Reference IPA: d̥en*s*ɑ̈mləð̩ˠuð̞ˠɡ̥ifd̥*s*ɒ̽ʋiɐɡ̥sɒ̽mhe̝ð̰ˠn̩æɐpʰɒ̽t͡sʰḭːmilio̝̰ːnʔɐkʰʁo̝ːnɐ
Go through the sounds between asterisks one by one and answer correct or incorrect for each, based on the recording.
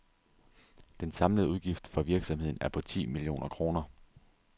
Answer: correct, incorrect: f

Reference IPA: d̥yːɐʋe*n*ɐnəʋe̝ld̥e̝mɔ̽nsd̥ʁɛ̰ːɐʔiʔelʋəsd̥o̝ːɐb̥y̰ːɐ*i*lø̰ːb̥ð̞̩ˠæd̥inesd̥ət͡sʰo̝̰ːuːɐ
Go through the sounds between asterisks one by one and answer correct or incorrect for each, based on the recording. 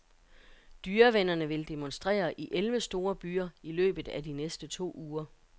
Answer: correct, correct

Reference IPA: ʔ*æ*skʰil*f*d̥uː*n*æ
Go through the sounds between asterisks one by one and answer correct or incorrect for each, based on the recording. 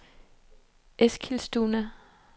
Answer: incorrect: e, incorrect: s, correct

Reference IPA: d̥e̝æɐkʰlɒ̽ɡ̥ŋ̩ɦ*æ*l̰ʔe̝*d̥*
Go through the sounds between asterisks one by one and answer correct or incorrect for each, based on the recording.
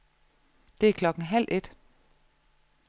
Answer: correct, correct

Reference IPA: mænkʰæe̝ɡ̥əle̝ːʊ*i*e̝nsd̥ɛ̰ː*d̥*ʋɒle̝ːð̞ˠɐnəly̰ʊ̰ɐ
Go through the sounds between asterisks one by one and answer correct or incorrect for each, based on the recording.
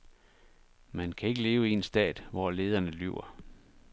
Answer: correct, correct

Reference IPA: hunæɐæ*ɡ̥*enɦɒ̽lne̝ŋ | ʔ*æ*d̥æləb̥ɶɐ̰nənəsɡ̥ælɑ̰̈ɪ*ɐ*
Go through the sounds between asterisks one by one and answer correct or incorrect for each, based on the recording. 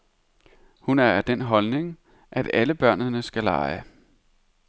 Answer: incorrect: d̥, correct, incorrect: ə

